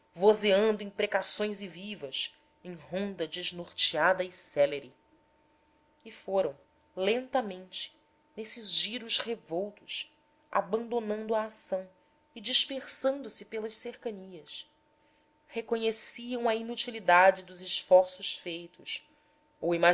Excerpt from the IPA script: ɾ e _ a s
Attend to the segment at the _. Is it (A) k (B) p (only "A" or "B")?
A